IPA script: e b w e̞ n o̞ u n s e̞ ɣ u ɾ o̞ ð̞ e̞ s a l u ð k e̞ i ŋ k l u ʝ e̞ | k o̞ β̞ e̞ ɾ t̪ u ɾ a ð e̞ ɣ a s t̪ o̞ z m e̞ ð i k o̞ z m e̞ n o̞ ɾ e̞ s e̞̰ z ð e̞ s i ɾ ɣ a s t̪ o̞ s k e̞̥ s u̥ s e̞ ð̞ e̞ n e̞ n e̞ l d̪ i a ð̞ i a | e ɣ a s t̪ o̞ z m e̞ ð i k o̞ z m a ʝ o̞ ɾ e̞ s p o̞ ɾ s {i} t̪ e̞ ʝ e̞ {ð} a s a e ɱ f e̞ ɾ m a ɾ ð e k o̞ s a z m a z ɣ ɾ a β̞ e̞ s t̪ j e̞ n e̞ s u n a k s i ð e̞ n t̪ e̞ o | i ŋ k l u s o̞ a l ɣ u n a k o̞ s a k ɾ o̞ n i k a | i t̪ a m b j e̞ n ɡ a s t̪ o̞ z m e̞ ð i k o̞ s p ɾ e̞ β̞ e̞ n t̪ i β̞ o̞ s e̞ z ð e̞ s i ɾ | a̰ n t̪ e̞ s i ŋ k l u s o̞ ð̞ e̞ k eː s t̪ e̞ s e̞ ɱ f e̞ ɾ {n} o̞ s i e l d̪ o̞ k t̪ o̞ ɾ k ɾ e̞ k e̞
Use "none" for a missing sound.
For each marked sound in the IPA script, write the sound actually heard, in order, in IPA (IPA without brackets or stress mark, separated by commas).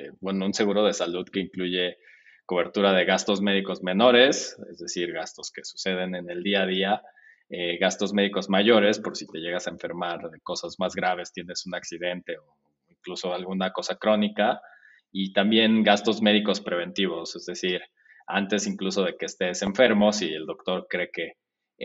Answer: i, ɣ, m